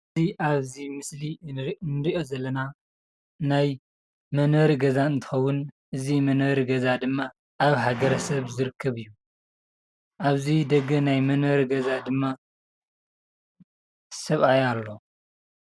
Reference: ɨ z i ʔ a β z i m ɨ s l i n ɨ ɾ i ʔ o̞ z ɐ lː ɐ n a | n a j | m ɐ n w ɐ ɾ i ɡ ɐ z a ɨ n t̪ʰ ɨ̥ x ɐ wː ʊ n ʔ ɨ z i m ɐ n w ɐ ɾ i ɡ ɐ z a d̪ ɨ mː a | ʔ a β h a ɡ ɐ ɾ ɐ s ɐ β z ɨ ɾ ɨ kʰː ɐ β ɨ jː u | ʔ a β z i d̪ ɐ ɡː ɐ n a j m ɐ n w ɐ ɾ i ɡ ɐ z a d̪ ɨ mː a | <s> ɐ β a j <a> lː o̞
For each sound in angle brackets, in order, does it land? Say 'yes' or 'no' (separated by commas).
yes, yes